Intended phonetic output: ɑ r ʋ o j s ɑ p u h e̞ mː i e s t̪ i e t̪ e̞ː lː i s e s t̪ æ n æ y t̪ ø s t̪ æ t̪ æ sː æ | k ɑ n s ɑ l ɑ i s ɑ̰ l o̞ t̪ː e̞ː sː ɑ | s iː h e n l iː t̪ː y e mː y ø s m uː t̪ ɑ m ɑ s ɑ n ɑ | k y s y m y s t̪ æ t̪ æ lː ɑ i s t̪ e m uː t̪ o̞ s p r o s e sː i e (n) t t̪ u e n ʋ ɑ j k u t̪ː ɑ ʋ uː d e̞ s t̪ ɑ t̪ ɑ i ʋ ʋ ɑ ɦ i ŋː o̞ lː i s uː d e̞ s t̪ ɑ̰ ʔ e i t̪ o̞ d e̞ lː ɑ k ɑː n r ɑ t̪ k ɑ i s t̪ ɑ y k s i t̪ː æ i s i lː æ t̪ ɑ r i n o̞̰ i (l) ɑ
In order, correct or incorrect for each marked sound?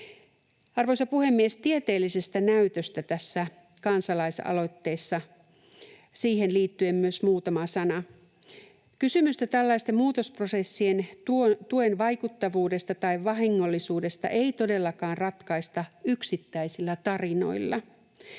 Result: correct, incorrect: lː

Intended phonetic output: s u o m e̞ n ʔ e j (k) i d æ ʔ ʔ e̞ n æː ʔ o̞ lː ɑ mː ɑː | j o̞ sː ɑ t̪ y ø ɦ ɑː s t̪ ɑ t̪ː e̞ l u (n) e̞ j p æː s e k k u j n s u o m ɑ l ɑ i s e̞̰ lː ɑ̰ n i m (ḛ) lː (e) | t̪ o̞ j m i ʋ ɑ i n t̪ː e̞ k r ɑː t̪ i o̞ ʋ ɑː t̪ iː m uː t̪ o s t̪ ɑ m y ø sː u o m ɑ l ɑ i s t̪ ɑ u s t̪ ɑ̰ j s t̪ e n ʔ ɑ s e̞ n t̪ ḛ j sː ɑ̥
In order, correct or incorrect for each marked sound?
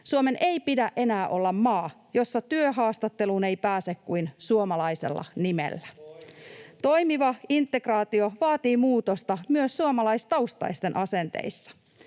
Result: incorrect: p, correct, correct, incorrect: æ

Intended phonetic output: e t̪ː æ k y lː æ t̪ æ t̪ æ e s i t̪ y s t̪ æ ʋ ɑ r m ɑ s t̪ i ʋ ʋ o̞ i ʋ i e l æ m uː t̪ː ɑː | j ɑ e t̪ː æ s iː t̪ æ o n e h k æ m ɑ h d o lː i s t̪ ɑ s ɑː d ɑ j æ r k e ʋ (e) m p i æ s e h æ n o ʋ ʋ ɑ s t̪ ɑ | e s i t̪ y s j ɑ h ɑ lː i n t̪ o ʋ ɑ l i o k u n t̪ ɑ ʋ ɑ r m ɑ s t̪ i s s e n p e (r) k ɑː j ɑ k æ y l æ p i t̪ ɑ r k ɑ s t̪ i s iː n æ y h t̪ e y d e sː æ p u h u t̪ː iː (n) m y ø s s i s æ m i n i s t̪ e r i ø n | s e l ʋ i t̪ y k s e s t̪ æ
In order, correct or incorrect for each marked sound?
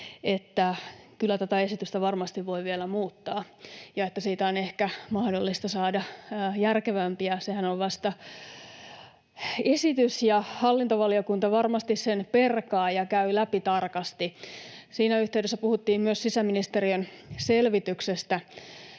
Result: incorrect: æ, correct, incorrect: m

